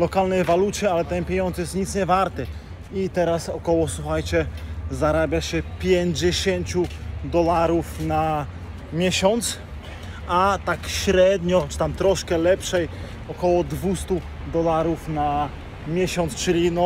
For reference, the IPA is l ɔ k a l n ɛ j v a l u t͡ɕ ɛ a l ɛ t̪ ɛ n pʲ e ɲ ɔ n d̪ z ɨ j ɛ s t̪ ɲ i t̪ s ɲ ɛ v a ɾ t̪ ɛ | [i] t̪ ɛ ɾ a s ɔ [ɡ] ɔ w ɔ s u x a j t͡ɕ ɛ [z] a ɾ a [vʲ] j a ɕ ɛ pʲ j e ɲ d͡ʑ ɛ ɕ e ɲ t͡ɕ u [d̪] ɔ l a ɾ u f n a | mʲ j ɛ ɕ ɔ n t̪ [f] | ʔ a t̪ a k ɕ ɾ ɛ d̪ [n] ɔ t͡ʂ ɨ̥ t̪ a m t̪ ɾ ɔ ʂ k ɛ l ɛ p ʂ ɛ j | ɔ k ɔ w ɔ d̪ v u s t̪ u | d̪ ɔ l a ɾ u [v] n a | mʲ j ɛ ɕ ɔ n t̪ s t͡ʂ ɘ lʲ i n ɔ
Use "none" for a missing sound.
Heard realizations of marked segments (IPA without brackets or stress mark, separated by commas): i, k, z, bʲ, d̪, s, ɲ, f